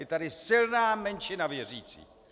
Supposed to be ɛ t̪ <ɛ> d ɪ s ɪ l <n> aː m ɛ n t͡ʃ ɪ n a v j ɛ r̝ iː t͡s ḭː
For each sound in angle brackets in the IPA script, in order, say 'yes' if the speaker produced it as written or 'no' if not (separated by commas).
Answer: no, yes